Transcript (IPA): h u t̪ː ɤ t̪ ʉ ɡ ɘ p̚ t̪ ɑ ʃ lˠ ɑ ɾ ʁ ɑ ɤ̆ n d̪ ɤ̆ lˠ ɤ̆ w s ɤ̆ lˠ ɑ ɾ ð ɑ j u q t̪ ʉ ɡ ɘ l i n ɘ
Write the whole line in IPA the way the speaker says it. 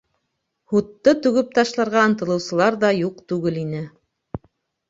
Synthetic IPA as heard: h u t̪ː ɤ t̪ ʉ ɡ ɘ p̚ t̪ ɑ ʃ lˠ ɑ ɾ ʁ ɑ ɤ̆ n t̪ ɤ̆ lˠ ɤ̆ w s ɤ̆ lˠ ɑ ɾ ð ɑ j u q t̪ ʉ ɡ ɘ l i n ɘ